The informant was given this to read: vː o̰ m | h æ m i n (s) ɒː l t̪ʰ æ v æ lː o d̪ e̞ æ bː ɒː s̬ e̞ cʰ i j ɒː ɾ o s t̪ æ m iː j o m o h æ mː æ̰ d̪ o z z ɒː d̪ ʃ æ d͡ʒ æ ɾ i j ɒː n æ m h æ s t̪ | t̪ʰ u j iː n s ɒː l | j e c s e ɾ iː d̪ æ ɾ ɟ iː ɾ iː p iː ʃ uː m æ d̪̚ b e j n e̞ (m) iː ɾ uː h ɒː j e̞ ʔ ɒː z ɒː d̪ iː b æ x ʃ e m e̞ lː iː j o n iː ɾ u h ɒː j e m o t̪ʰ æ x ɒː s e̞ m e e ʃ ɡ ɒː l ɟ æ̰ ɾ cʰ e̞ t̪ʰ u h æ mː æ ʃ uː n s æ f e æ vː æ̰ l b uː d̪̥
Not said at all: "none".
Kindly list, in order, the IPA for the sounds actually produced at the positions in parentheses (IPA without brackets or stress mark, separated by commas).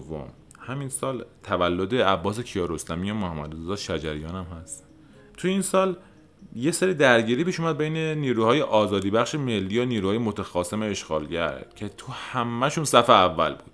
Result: s, n